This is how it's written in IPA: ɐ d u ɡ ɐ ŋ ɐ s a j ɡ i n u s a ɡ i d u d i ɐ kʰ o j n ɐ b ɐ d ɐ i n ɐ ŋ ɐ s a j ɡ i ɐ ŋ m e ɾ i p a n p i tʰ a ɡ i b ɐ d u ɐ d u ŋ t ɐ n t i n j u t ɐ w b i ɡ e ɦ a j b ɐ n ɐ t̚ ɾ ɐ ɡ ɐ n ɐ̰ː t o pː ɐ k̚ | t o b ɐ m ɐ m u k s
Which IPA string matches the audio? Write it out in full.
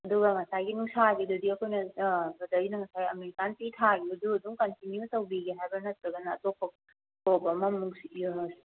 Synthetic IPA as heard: ɐ d u ɡ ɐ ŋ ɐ s a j ɡ i n u s a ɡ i d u d i ɐ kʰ o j n ɐ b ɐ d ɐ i n ɐ ŋ ɐ s a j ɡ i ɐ m e ɾ i k a n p i tʰ a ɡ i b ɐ d u ɐ d u ŋ k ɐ n t i n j u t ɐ w b i ɡ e ɦ a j b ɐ n ɐ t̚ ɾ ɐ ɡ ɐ n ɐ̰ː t o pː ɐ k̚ | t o b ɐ m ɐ m u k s